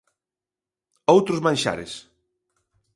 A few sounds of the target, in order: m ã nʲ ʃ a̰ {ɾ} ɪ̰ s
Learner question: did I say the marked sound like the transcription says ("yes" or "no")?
yes